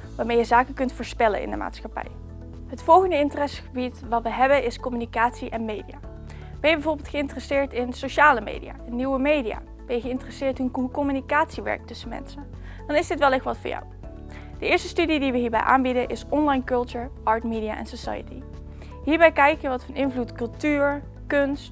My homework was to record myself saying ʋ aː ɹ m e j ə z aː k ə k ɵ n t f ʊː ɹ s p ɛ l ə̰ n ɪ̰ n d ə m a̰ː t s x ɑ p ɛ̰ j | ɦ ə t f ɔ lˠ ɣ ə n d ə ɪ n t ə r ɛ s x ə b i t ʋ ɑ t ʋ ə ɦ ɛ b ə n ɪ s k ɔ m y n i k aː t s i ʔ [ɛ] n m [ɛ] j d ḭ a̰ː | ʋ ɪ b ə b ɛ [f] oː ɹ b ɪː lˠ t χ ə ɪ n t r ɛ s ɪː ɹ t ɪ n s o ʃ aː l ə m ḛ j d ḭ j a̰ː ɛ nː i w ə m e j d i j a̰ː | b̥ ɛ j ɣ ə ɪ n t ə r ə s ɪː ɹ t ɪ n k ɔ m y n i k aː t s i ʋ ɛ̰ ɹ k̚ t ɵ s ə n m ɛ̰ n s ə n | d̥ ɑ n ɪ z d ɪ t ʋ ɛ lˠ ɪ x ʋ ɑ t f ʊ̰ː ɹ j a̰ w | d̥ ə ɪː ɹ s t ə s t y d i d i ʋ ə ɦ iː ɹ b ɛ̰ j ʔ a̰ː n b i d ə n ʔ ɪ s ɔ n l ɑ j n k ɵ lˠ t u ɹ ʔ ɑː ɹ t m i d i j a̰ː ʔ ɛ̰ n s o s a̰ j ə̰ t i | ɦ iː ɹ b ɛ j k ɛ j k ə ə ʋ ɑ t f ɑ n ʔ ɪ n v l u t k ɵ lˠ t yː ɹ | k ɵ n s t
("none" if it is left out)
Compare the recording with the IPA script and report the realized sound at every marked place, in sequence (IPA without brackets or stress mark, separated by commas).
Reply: ɛ, e, v